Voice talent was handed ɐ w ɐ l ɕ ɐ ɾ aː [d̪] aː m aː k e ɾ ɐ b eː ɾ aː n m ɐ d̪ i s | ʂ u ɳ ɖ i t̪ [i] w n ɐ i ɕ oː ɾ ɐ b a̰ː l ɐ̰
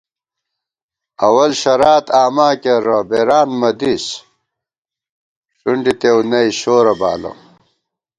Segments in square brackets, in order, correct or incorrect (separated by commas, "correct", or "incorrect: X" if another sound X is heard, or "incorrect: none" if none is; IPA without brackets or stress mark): incorrect: t̪, incorrect: e